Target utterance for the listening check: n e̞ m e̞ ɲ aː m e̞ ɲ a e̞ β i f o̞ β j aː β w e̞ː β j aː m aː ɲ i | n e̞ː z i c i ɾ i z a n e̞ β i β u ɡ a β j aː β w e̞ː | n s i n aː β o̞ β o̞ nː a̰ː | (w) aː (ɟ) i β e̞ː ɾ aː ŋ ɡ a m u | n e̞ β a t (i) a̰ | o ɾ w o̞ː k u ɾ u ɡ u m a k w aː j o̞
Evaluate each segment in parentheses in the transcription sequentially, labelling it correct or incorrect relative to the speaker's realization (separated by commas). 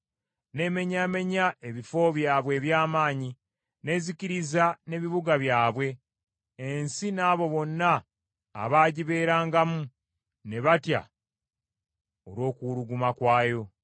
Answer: incorrect, correct, incorrect